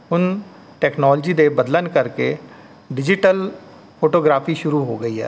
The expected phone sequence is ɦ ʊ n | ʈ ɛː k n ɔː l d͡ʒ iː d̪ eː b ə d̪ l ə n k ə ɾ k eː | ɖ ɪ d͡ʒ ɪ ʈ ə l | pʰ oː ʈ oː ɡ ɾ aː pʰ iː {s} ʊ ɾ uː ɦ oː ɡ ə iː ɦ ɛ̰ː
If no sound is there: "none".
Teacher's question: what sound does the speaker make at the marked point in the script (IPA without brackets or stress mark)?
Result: ʃ